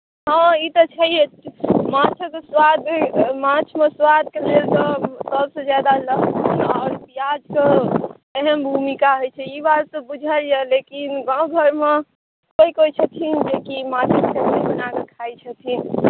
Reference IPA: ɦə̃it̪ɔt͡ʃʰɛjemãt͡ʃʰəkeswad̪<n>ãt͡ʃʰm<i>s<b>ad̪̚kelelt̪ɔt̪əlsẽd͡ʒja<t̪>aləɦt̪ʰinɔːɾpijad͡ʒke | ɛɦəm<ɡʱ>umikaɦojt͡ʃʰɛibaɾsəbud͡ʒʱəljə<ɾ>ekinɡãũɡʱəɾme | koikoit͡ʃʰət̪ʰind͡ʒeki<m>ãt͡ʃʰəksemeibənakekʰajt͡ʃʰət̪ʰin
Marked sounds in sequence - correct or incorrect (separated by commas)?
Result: incorrect, incorrect, incorrect, incorrect, incorrect, incorrect, correct